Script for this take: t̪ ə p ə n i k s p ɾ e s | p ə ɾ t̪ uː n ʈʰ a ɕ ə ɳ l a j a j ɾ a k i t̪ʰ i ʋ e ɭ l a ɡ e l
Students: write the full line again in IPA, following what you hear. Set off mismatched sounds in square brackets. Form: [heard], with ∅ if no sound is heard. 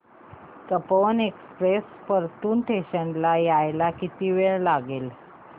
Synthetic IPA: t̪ ə p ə n [e] k s p ɾ e s | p ə ɾ t̪ uː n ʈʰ [e] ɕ ə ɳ l a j a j [l] a k i [t̪] i ʋ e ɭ l a ɡ e l